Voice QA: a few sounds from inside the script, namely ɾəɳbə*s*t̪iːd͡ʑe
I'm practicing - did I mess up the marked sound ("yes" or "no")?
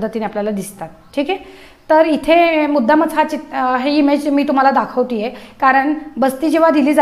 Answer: no